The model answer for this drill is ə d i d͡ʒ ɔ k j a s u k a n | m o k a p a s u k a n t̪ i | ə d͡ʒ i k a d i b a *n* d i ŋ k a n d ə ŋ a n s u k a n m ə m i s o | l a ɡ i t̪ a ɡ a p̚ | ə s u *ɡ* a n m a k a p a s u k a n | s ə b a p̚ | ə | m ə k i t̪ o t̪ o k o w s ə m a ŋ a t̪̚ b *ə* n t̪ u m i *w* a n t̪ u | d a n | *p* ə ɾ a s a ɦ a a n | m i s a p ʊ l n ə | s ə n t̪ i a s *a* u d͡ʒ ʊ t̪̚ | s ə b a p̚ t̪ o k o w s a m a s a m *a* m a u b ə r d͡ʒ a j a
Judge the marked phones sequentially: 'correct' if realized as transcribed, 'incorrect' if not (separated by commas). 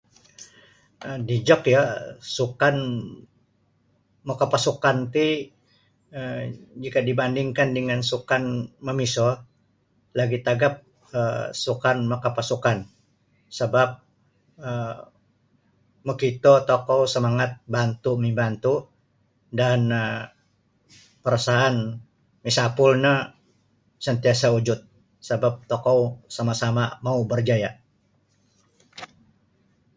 correct, incorrect, incorrect, incorrect, correct, correct, correct